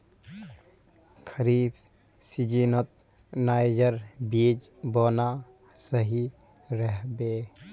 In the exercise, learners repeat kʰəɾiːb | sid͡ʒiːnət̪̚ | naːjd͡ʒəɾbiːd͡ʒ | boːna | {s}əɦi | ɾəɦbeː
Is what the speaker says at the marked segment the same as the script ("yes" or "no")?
yes